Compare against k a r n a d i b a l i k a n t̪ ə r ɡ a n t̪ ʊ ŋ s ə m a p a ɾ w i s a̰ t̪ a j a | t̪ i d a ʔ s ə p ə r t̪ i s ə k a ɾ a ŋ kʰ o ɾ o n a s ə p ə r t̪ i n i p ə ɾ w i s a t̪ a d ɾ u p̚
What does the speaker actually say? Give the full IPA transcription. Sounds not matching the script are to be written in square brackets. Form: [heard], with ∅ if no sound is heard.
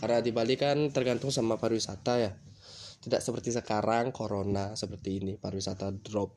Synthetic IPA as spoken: k a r n a d i b a l i k a n t̪ ə r ɡ a n t̪ ʊ ŋ s [a] m a p a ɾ w i s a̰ t̪ a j a | t̪ i d a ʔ s ə p ə r t̪ i s ə k a ɾ a ŋ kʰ o ɾ o n a s ə p ə r t̪ [iː] n i p [a] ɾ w i s a t̪ a d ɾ [ɔ] p̚